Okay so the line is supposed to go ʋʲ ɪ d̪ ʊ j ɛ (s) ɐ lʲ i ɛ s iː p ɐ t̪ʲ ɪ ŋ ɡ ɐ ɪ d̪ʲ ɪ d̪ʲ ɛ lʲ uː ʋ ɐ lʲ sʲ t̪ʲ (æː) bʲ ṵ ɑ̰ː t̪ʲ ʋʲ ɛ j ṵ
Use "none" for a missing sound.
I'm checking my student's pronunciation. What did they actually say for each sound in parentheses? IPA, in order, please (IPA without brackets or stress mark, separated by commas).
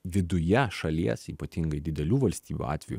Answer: ʃ, iː